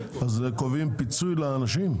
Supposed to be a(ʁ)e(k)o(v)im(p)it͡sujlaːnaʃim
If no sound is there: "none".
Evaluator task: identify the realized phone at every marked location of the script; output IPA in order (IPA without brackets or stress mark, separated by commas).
z, k, v, p